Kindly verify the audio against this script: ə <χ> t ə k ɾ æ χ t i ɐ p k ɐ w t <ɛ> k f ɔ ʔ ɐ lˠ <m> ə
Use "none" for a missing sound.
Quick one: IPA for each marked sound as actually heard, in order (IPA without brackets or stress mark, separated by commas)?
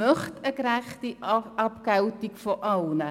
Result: χ, i, n